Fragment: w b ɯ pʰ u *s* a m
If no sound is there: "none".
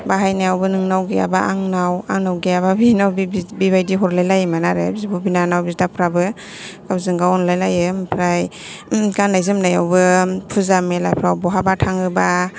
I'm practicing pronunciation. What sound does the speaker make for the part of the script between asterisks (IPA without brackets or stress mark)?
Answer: z